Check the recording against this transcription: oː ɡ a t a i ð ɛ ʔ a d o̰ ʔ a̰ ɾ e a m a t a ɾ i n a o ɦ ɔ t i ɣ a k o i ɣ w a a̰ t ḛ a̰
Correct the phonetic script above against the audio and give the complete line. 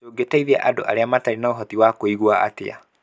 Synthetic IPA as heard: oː ɡ e t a i ð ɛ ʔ a d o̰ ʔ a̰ ɾ e a m a t a ɾ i n a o ɦ ɔ t i w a k o i ɣ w a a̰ t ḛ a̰